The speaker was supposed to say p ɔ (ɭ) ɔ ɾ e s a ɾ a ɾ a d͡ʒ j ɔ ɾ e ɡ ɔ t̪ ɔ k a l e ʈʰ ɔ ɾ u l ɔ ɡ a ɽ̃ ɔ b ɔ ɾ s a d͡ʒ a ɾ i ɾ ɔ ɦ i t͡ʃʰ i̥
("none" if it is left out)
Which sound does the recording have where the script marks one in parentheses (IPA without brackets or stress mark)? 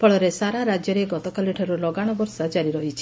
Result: ɭ